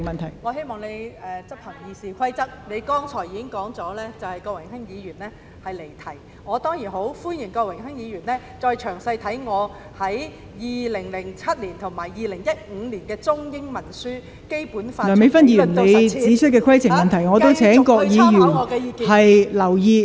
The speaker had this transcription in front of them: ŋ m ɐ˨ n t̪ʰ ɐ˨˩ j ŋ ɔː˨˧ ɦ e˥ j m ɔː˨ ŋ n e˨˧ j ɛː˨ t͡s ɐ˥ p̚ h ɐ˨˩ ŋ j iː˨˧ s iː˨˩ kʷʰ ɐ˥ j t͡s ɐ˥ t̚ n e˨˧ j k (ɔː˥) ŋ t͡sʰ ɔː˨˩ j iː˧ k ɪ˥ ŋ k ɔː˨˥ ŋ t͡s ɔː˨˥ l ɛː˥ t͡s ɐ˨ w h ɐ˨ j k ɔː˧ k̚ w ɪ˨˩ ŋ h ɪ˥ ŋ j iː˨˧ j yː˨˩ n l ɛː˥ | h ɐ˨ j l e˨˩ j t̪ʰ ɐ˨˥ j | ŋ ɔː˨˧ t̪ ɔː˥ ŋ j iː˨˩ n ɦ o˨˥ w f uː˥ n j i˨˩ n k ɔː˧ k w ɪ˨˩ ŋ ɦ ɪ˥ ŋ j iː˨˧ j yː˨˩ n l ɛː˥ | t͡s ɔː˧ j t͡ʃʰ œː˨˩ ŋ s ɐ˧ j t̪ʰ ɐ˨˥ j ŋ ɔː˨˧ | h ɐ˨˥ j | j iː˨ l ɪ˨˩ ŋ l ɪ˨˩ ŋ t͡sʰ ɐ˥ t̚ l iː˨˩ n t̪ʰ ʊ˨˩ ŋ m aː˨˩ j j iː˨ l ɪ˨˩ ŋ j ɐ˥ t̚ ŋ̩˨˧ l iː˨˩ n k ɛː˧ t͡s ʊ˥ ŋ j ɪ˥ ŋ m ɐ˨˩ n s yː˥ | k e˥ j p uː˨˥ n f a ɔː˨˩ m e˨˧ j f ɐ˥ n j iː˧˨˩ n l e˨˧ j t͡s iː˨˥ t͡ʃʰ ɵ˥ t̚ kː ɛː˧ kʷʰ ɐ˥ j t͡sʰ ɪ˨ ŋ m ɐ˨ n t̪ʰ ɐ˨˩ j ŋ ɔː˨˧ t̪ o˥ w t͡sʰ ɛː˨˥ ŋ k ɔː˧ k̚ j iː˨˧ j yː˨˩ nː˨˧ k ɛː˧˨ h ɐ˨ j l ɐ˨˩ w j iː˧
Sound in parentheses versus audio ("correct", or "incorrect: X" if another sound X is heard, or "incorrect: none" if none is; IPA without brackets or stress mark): correct